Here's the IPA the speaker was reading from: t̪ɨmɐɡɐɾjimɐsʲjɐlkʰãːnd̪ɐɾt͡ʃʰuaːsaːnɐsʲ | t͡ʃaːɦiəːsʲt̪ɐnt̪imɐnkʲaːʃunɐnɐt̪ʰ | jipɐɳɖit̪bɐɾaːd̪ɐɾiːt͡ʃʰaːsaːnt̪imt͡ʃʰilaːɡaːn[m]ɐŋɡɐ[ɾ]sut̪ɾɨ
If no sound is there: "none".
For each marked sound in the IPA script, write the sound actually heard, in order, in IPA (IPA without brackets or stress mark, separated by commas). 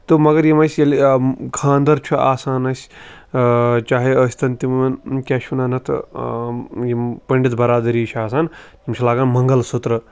m, l